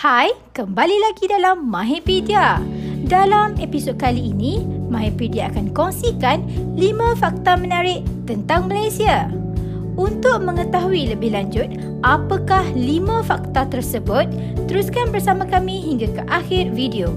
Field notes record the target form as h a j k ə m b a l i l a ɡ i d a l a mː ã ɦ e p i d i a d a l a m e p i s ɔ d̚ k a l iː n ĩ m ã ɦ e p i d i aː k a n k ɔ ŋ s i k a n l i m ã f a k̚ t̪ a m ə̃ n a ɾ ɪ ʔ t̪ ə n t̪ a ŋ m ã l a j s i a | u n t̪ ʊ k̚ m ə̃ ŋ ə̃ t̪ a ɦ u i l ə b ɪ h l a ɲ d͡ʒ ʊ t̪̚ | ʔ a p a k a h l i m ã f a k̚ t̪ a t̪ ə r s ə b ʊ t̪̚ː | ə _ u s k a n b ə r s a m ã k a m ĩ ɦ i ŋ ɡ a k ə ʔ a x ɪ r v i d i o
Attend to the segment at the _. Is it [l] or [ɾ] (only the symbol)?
ɾ